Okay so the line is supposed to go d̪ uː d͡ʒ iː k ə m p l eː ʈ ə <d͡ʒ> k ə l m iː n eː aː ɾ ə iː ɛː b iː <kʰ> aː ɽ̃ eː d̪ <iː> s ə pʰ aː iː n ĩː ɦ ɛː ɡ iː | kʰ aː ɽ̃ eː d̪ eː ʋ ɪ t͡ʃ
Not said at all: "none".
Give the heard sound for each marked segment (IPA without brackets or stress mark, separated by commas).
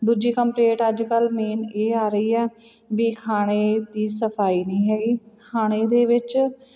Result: d͡ʒ, kʰ, iː